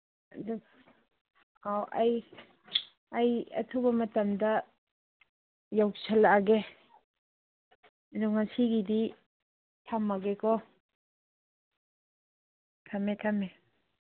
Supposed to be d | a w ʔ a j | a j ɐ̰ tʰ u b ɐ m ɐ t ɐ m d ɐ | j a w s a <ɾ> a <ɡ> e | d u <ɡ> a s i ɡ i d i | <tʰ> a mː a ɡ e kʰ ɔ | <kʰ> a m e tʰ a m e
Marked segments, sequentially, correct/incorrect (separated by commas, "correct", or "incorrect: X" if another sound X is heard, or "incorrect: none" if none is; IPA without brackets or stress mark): incorrect: l, correct, incorrect: ŋ, correct, incorrect: tʰ